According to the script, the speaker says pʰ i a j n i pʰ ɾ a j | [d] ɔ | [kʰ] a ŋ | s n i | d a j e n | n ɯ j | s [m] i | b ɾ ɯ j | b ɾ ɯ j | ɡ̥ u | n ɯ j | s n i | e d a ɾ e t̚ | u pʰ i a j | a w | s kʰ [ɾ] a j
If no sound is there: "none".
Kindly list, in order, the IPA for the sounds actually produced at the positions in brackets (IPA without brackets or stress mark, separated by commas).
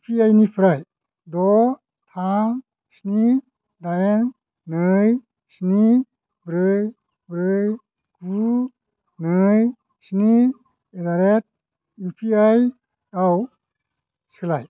d, tʰ, n, l